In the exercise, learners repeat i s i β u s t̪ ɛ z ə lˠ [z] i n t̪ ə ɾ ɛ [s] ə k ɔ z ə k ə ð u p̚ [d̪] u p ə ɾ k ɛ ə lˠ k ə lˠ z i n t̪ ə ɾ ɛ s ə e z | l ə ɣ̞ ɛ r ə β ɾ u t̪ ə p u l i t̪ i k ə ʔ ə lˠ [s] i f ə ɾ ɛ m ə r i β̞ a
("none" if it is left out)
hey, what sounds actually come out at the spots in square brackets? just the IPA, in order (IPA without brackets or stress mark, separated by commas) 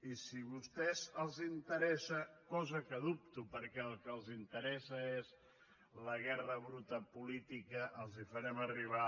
z, s, t̪, z